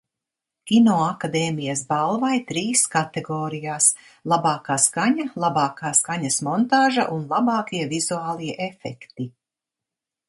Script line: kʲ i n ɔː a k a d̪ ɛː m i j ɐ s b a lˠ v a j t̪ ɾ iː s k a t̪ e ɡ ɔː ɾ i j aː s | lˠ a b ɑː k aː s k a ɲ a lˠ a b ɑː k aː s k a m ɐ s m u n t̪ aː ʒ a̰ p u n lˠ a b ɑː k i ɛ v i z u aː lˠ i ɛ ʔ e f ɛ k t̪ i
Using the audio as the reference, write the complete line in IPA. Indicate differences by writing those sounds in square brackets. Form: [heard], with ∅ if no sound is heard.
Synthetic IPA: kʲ i n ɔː a k a d̪ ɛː m i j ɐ s b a lˠ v a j t̪ ɾ iː s k a t̪ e ɡ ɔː ɾ i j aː s | lˠ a b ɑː k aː s k a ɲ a lˠ a b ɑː k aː s k a [ɲ] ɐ s m [ɔ] n t̪ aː ʒ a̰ [ʔ] u n lˠ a b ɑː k i ɛ v i z u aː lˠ i ɛ ʔ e f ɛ k t̪ i

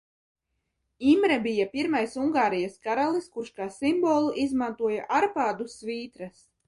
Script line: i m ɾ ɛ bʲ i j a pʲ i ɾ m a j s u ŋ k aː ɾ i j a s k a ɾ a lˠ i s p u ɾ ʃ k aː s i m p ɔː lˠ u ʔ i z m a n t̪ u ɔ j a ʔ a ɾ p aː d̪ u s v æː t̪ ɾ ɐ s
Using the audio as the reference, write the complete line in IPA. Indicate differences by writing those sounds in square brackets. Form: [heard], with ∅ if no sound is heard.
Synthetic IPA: i m ɾ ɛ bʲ i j a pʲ i ɾ m a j s u ŋ [ɡ] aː ɾ i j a s k a ɾ a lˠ i s [k] u ɾ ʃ k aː s i m [b] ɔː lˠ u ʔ i z m a n t̪ u ɔ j a ʔ a ɾ p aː d̪ u s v [iː] t̪ ɾ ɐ s

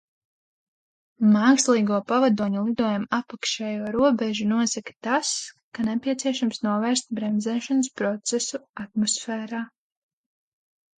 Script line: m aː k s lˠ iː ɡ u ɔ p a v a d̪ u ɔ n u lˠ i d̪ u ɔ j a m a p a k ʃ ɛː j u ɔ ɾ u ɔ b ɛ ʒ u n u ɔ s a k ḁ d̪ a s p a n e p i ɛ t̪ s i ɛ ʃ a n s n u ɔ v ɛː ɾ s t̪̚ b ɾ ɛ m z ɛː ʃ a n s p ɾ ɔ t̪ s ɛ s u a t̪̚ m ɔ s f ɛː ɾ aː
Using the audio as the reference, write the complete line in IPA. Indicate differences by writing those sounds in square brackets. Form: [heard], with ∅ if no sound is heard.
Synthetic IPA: m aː k s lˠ iː ɡ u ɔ p a v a d̪ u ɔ [ɲ] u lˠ i d̪ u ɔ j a m a p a k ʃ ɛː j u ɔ ɾ u ɔ b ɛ ʒ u n u ɔ s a k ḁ [t̪] a s [k] a n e p i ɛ t̪ s i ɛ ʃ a [m] s n u ɔ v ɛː ɾ s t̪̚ b ɾ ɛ m z ɛː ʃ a n s p ɾ ɔ t̪ s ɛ s u a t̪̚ m ɔ s f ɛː ɾ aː

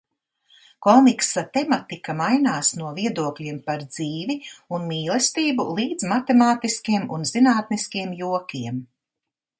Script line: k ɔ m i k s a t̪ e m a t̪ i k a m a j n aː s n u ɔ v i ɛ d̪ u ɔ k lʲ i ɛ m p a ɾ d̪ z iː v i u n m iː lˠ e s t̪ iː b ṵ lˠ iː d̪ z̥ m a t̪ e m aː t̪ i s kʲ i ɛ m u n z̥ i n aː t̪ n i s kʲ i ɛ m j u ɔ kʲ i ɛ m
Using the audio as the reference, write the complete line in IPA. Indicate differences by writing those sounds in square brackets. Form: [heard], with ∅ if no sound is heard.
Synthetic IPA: k ɔ m i k s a t̪ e m a t̪ i k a m a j n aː s n u ɔ v i ɛ d̪ u ɔ k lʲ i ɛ m p a ɾ d̪ z iː v i u n m iː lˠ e s t̪ iː b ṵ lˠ iː d̪ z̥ m a t̪ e m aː t̪ i s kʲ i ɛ m u n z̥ i n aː t̪ n i s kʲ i ɛ m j u ɔ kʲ i ɛ m

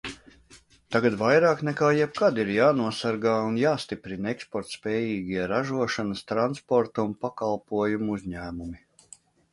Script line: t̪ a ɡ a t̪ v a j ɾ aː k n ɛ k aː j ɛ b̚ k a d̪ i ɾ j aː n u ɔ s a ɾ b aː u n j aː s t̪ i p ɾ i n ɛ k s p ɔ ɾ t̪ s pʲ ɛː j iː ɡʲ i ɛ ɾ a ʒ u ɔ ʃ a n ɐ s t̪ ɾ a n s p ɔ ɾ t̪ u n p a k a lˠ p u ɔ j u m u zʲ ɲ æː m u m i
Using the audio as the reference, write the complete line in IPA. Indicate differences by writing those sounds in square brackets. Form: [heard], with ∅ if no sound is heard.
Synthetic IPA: t̪ a ɡ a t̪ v a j ɾ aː k n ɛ k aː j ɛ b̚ k a d̪ i ɾ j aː n u ɔ s a ɾ [ɡ] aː u n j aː s t̪ i p ɾ i n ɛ k s p ɔ ɾ t̪ s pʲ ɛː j iː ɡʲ i ɛ ɾ a ʒ u ɔ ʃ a n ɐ s t̪ ɾ a n s p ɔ ɾ t̪ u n p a k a lˠ p u ɔ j u m u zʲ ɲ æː m u m i

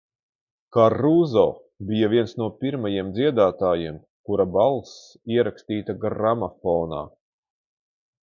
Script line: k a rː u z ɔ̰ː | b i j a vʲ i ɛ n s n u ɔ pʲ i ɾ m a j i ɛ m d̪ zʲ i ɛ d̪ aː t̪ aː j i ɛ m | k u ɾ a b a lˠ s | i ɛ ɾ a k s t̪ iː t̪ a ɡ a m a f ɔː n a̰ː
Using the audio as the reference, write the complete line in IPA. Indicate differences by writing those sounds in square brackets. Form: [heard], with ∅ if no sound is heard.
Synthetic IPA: k a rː u z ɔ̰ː | b i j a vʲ i ɛ n s n u ɔ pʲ i ɾ m a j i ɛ m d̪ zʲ i ɛ d̪ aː t̪ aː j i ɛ m | k u ɾ a b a lˠ s | i ɛ ɾ a k s t̪ iː t̪ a ɡ a m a f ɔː n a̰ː

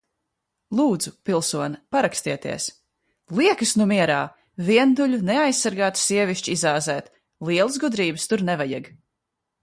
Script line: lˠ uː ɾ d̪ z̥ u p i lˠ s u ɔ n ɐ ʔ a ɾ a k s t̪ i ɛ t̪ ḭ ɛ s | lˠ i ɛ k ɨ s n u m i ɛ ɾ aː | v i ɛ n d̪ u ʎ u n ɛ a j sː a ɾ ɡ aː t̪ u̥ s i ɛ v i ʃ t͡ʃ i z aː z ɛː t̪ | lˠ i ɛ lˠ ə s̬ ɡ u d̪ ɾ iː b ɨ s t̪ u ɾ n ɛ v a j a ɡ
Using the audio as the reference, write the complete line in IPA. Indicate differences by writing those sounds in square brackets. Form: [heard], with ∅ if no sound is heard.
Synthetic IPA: lˠ uː [∅] d̪ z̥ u p i lˠ s u ɔ n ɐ [p] a ɾ a k s t̪ i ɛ t̪ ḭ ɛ s | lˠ i ɛ k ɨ s n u m i ɛ ɾ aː | v i ɛ n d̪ u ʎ u n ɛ a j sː a ɾ ɡ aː t̪ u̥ s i ɛ v i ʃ t͡ʃ i z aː z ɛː t̪ | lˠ i ɛ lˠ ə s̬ ɡ u d̪ ɾ iː b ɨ s t̪ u ɾ n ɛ v a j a ɡ

